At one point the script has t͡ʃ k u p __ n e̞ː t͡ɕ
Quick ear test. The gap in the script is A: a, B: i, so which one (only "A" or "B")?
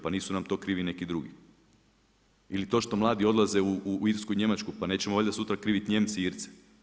A